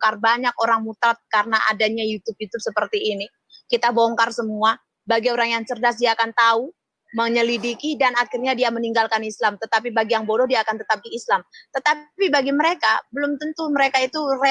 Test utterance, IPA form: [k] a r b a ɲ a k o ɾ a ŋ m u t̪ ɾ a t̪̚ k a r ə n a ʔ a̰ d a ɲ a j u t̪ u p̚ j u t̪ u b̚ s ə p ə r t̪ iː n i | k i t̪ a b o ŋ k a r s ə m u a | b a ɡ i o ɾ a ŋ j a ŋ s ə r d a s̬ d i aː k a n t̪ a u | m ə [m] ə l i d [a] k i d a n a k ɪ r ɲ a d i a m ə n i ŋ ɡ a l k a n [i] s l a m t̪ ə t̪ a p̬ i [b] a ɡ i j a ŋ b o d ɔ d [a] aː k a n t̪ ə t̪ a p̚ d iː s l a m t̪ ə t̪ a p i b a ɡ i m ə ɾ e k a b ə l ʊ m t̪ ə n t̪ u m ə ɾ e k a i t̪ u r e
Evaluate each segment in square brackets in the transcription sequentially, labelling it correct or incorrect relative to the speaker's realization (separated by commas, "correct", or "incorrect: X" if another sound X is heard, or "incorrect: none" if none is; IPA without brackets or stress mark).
correct, incorrect: ɲ, incorrect: i, correct, correct, incorrect: i